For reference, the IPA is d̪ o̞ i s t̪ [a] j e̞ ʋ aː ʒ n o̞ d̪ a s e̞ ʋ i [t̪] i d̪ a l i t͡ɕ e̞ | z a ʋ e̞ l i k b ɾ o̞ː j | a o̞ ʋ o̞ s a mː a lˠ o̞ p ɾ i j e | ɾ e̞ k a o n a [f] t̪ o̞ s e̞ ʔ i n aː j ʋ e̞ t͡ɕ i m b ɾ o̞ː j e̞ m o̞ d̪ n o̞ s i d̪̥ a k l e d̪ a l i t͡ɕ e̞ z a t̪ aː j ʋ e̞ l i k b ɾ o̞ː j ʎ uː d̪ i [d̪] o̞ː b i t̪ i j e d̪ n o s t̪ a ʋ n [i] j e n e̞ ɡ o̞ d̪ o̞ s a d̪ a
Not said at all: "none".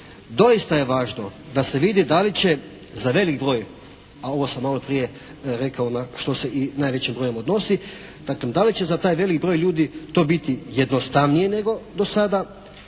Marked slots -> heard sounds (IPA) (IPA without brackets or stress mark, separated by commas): a, d̪, ʃ, t̪, i